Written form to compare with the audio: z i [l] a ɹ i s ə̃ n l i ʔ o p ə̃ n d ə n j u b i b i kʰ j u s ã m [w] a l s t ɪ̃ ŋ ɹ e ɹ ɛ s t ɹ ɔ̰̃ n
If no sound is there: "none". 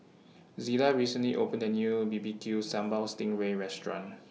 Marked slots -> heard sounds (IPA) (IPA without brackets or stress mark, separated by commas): l, b